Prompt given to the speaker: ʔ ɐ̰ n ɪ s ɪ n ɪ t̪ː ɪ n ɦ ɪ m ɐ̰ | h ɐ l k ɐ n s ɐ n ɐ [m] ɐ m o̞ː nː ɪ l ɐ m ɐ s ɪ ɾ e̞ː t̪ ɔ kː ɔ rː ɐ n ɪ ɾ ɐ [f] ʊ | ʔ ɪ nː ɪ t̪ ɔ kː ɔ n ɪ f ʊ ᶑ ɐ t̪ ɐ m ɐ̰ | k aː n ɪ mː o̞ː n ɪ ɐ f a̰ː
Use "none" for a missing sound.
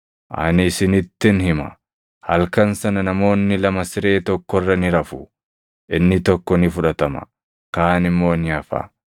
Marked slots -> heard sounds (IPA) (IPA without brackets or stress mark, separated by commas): n, f